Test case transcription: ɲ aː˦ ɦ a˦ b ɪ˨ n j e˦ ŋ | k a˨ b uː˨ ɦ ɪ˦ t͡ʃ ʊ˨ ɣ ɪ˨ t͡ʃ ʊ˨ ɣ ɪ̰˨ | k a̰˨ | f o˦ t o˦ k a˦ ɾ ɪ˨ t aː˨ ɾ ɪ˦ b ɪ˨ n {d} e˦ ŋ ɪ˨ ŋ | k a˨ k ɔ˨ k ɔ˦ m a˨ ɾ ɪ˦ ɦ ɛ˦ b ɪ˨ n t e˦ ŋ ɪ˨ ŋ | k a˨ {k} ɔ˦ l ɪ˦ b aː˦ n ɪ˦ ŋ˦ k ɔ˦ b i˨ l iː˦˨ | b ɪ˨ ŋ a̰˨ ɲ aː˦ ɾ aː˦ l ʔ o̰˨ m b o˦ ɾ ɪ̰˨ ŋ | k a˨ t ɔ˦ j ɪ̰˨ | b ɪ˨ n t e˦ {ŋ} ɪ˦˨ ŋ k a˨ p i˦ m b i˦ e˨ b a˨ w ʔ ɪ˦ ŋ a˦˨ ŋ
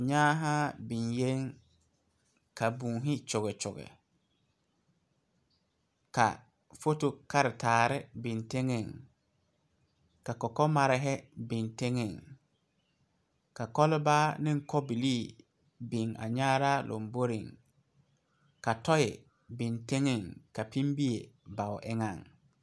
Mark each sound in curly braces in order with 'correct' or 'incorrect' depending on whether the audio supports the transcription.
incorrect, correct, correct

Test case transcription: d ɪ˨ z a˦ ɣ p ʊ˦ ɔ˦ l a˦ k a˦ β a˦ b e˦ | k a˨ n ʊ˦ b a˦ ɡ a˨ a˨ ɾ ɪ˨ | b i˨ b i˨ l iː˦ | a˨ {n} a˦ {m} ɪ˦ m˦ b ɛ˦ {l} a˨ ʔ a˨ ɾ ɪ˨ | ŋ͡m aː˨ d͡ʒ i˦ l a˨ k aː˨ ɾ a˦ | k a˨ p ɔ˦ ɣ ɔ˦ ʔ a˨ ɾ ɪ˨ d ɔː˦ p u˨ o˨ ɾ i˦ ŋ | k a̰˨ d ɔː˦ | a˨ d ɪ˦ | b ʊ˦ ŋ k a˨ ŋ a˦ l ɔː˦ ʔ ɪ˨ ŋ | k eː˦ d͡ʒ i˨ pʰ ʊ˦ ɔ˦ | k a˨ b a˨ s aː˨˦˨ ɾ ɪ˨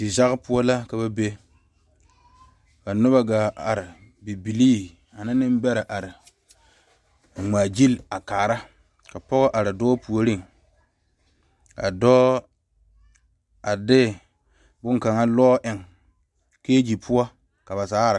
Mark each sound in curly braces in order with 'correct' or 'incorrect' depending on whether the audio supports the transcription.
correct, incorrect, incorrect

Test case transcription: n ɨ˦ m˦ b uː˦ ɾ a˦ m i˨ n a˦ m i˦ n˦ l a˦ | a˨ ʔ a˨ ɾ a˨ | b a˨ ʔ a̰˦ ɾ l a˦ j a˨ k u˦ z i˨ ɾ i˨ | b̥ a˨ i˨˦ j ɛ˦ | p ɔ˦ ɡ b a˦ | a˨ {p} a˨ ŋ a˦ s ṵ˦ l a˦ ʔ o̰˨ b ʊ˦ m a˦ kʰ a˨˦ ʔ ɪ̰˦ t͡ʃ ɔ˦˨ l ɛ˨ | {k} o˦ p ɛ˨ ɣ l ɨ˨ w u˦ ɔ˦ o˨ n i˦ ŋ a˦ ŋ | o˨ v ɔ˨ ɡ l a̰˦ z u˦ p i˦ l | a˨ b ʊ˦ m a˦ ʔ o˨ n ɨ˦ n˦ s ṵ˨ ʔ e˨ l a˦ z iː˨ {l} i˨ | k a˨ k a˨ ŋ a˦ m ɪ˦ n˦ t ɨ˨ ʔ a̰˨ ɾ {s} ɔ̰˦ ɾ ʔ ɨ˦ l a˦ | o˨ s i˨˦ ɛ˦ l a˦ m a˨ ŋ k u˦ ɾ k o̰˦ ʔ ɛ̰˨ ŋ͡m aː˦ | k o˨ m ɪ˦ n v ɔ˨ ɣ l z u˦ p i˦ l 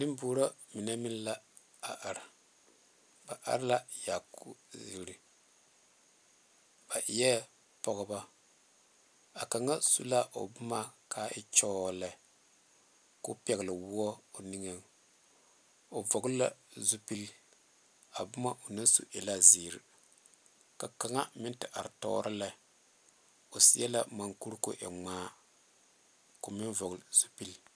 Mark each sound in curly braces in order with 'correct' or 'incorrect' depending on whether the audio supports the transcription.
incorrect, correct, incorrect, incorrect

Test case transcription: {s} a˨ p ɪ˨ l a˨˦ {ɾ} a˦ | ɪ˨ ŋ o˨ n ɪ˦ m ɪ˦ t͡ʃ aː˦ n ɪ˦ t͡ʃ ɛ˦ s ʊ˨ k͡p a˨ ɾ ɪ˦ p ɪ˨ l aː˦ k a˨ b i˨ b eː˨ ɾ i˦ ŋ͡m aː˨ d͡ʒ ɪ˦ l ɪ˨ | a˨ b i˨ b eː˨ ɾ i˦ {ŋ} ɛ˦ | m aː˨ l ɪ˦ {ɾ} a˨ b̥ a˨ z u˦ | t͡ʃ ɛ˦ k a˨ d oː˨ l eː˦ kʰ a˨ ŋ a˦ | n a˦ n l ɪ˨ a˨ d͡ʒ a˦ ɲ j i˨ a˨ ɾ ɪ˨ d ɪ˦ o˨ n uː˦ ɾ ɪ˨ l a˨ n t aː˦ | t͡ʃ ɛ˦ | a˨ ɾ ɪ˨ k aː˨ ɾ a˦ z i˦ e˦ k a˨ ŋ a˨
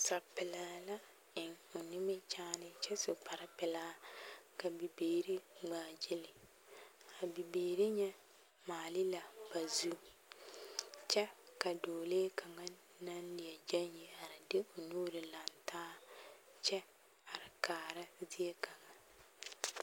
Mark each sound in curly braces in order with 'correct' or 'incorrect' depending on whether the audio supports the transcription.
correct, incorrect, incorrect, incorrect

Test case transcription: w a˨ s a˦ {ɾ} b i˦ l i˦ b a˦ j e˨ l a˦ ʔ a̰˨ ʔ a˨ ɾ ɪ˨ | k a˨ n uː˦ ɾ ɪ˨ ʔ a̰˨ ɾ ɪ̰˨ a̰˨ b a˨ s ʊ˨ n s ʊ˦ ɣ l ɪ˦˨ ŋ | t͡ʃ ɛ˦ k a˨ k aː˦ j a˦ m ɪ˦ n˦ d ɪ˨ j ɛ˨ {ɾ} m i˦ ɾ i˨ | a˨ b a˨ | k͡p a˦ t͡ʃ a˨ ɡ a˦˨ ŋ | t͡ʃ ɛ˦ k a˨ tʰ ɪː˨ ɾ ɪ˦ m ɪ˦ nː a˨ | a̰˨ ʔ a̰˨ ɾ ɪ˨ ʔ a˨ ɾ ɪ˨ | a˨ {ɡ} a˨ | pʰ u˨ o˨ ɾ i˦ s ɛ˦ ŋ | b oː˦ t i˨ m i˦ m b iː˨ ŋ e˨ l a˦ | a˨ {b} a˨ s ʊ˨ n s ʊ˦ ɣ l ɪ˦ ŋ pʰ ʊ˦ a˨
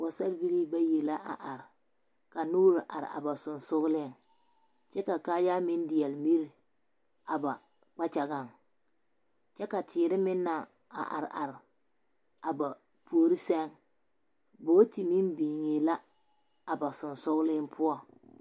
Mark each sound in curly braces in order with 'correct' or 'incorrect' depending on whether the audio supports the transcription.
incorrect, incorrect, incorrect, correct

